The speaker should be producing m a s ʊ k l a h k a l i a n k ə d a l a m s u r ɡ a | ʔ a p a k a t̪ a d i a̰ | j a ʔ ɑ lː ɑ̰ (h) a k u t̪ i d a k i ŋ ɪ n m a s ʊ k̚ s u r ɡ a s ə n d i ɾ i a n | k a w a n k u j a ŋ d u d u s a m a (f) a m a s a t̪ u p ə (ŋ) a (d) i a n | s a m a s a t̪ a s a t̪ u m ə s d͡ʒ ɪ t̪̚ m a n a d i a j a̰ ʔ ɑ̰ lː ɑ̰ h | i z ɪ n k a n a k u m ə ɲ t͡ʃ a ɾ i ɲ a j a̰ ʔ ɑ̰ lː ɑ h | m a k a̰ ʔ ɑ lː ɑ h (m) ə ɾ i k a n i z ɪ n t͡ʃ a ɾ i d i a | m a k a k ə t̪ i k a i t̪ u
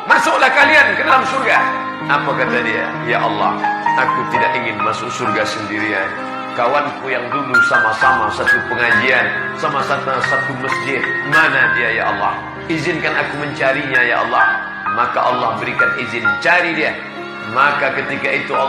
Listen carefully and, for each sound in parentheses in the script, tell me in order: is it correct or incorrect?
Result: correct, incorrect, correct, incorrect, incorrect

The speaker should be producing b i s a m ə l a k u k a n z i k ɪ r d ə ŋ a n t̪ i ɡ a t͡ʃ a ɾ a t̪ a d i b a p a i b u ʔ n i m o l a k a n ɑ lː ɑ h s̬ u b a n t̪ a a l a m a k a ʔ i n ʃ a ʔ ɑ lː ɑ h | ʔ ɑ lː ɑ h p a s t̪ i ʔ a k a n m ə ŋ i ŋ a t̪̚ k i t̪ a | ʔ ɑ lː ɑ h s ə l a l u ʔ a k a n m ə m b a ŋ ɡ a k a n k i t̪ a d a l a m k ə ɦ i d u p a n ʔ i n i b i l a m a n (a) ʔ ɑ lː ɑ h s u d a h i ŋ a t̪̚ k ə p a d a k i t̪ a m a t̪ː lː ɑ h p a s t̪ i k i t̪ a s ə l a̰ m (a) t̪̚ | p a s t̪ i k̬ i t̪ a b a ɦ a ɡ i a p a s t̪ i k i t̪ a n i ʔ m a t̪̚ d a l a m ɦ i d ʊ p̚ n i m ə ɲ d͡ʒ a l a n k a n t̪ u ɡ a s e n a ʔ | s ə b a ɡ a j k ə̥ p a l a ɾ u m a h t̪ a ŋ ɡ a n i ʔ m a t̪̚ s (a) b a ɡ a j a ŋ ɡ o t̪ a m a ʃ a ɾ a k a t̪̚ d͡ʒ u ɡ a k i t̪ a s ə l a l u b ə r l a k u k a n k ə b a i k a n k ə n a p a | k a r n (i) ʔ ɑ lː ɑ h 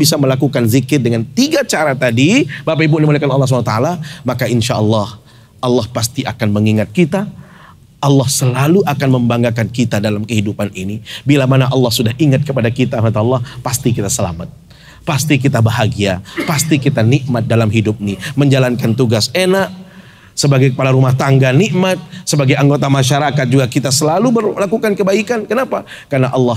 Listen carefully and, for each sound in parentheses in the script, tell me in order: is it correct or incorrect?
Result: correct, correct, incorrect, incorrect

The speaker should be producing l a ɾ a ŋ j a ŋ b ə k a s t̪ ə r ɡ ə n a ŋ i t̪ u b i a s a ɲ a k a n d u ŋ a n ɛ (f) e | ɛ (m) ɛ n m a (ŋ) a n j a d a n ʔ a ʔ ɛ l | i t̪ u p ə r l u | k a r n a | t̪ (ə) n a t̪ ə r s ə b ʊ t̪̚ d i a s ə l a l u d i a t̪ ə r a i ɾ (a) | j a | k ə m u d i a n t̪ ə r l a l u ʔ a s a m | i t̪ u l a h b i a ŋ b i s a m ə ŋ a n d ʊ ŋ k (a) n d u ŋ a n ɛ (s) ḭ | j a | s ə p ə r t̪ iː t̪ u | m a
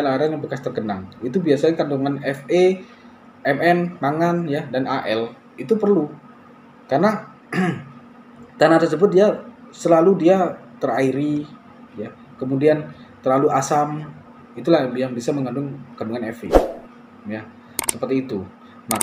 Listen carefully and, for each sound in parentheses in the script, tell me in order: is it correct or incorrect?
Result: correct, correct, correct, incorrect, incorrect, correct, incorrect

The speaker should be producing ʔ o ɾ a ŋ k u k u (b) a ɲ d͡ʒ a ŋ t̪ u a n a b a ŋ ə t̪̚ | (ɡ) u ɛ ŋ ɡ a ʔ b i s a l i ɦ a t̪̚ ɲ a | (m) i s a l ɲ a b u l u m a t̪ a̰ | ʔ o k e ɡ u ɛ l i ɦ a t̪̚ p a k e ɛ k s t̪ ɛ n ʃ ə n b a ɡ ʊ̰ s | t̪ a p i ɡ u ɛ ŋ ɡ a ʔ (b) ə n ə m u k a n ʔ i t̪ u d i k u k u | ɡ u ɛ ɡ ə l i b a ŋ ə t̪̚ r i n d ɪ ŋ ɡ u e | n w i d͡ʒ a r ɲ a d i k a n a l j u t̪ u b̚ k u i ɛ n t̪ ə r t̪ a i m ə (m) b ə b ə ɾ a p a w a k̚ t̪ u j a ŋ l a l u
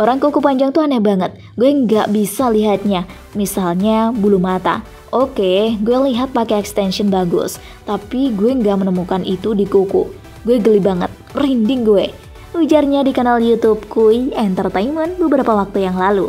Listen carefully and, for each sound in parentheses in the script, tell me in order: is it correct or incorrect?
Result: incorrect, correct, correct, incorrect, incorrect

